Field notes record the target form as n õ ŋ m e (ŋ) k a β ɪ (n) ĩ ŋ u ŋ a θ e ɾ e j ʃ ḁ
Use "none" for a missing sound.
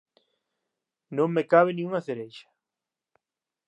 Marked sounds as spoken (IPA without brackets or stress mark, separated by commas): none, n